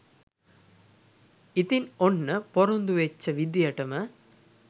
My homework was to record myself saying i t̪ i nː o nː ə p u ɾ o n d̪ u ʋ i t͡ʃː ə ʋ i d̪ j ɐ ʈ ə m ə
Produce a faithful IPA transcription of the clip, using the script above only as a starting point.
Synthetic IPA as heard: i t̪ i n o nː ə p o ɾ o n d̪ u ʋ e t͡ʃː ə ʋ i d̪ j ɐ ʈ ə m ə